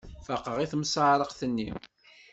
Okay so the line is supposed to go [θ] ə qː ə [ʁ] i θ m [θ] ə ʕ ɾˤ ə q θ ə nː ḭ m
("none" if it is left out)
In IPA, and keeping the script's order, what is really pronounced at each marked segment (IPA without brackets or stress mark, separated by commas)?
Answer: f, ʁ, s